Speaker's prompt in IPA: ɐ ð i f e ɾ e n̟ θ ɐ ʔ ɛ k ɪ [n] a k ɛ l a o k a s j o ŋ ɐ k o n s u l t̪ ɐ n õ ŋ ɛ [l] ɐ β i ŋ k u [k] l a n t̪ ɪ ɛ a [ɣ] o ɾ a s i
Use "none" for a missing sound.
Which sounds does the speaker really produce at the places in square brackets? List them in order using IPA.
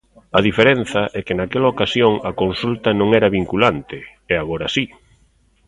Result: n, ɾ, none, ɣ

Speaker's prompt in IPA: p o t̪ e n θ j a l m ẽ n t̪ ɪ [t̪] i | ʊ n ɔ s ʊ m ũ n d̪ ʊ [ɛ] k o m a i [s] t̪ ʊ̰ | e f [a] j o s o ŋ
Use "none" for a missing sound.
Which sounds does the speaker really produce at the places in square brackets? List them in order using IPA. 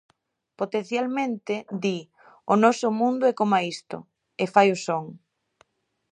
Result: d̪, ɛ, s, a

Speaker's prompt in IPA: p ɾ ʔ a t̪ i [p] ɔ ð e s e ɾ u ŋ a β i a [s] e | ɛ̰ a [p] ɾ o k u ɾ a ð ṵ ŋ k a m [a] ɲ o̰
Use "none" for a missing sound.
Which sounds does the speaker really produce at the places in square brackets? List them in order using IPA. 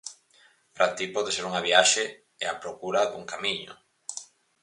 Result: p, ʃ, p, i

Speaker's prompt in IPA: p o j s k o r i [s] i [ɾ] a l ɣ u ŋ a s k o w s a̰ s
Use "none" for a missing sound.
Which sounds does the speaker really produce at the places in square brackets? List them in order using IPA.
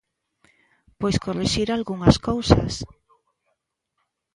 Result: ʃ, ɾ

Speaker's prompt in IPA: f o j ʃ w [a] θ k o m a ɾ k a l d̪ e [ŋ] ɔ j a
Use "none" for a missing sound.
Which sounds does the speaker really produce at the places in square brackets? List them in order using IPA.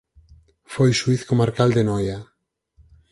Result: i, n

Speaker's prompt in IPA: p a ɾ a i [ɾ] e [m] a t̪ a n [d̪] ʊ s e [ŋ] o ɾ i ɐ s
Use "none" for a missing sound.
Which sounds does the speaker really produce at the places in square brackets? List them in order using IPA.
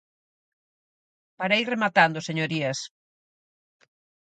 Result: r, m, d̪, ɲ

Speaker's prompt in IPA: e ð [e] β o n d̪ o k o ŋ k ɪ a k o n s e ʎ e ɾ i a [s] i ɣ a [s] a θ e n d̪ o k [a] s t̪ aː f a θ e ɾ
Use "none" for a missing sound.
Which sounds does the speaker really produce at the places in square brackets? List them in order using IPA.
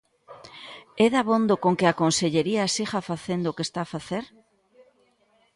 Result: a, s, f, e

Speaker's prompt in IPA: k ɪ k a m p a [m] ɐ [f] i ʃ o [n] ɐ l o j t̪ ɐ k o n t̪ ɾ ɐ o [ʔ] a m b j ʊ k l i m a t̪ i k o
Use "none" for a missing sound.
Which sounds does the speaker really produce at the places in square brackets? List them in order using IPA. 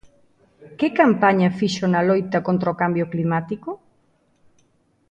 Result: ɲ, f, n, k

